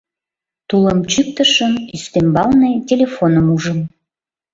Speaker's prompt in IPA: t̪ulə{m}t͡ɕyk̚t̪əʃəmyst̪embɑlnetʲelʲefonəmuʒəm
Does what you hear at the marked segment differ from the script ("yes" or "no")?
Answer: no